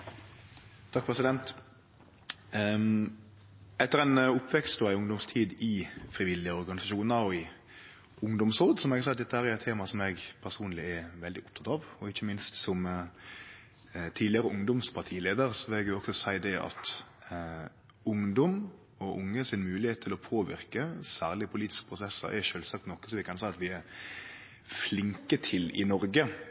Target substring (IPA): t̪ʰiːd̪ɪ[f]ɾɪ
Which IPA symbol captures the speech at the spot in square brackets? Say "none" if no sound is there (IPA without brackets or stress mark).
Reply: f